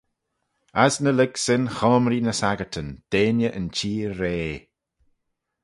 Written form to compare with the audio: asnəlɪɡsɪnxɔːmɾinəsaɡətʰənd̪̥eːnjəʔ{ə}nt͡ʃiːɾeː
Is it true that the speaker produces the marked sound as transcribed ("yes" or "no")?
yes